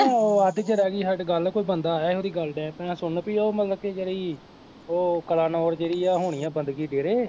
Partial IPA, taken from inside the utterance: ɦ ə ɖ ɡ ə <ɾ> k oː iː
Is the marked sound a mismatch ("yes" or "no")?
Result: yes